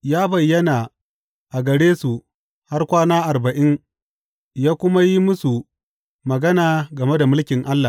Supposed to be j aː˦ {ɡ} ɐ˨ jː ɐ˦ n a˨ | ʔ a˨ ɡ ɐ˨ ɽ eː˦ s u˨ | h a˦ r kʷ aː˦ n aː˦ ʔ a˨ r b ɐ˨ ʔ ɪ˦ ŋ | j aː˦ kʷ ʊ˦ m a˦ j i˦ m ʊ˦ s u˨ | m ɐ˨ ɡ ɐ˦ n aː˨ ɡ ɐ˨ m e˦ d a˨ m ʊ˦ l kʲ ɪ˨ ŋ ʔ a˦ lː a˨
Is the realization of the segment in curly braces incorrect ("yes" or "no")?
yes